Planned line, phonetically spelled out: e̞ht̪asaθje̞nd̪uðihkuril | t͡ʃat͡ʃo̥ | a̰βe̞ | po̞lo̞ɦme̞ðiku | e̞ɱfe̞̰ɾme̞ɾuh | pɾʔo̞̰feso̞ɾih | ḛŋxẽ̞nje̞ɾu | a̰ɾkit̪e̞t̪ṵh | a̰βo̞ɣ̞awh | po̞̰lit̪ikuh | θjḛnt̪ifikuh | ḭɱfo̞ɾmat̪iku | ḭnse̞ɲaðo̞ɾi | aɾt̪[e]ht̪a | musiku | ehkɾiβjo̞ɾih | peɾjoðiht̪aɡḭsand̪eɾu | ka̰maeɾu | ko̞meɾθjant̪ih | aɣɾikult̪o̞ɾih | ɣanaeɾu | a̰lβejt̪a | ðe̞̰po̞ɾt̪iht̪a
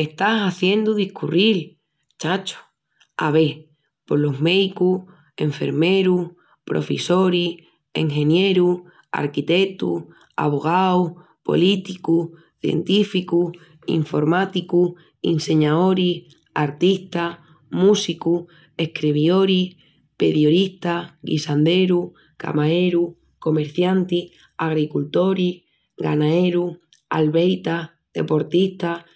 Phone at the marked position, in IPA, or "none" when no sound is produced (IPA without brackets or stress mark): i